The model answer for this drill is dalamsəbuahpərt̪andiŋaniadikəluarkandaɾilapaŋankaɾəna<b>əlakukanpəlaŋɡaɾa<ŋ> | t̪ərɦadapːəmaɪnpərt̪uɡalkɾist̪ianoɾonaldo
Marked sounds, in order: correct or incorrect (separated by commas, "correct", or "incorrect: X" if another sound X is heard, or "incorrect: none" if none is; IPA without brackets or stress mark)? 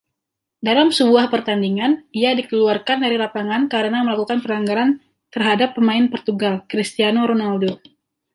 incorrect: m, incorrect: n